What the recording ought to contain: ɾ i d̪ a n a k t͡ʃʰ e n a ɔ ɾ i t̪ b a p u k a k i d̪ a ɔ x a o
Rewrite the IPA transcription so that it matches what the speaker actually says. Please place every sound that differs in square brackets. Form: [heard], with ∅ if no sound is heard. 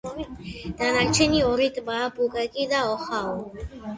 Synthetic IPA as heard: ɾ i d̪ a n a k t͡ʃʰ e n [i] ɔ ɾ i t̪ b a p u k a k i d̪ a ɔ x a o